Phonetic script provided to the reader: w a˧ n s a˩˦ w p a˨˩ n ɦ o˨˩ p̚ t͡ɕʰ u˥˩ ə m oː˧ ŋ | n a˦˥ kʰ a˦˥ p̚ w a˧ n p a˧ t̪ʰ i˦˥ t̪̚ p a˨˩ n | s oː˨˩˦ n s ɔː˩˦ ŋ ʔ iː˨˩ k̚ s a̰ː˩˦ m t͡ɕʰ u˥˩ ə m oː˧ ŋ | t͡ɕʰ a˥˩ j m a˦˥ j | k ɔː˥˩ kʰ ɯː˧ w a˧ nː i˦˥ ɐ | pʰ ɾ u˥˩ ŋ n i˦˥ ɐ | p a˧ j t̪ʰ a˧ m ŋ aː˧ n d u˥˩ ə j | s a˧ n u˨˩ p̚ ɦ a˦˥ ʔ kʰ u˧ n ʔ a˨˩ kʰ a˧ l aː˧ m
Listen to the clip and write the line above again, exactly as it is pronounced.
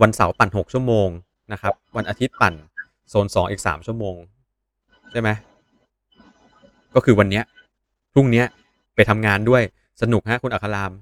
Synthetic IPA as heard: w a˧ n s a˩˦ w p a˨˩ n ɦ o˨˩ k̚ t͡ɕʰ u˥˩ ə m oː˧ ŋ | n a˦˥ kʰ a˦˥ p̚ w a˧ n ʔ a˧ t̪ʰ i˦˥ t̪̚ p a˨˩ n | s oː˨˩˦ n s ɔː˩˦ ŋ ʔ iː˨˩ k̚ s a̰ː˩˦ m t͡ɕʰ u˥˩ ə m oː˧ ŋ | t͡ɕʰ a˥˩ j m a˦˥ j | k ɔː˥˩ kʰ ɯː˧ w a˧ nː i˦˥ ɐ | pʰ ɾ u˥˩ ŋ n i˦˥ ɐ | p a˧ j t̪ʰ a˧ m ŋ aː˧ n d u˥˩ ə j | s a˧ n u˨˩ k̚ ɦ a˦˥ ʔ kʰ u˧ n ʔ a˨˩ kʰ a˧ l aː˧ m